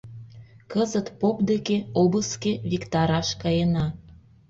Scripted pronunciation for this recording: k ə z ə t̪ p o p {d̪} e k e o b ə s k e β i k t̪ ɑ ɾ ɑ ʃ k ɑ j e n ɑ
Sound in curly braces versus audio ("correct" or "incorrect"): correct